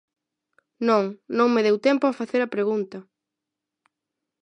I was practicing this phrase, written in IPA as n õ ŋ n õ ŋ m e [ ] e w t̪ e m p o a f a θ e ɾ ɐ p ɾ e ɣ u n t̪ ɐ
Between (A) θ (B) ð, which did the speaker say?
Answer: B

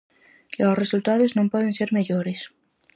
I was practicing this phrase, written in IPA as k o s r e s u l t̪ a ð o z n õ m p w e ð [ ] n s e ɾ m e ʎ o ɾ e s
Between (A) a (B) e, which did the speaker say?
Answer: B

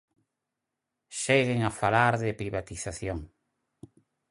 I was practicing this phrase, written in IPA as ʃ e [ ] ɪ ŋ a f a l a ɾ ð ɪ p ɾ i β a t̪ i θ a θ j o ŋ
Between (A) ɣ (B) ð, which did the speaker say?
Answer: A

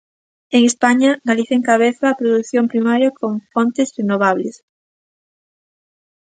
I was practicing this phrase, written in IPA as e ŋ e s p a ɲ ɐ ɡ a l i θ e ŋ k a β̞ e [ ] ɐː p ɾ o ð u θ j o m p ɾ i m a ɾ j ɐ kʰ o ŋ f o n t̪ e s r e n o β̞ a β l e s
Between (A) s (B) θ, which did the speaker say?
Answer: B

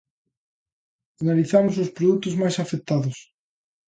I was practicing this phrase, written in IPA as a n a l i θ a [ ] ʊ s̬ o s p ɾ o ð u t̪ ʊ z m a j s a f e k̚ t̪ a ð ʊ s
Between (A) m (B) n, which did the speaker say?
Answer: A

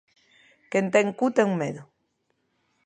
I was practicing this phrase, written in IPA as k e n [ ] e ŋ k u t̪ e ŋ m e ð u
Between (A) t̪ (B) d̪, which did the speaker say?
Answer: A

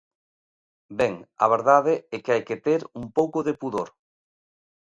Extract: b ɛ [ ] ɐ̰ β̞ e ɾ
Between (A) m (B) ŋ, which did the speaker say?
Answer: B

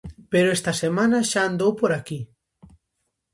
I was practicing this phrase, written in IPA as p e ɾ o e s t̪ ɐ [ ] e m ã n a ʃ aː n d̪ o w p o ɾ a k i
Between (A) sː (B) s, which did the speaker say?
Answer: B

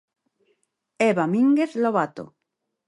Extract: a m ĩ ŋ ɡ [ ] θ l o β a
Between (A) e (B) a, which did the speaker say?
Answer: A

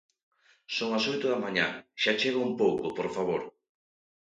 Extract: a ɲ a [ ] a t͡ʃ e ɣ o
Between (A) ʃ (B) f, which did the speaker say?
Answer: A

